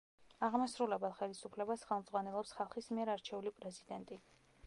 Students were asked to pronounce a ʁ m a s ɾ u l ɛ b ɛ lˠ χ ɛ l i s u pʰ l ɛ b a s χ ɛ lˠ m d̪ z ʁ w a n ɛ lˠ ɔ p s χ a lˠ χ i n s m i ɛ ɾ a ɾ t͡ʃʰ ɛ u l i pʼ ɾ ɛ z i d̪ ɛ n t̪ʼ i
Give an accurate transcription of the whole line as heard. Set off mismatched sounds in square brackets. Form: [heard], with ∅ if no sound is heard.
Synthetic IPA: a ʁ m a s ɾ u l ɛ b ɛ lˠ χ ɛ l i s u pʰ l ɛ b a s χ ɛ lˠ m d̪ z ʁ w a n ɛ lˠ ɔ p s χ a lˠ χ i [∅] s m i ɛ ɾ a ɾ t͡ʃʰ ɛ u l i pʼ ɾ ɛ z i d̪ ɛ n t̪ʼ i